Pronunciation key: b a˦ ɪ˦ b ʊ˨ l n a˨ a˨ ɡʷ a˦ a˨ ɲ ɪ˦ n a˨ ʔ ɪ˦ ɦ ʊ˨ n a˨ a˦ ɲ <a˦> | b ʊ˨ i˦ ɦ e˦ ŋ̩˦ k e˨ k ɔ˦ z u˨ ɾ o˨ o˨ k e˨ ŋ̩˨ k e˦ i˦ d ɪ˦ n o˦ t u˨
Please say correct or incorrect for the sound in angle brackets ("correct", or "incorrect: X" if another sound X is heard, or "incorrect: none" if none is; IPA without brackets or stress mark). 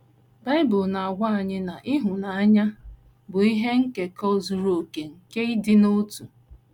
correct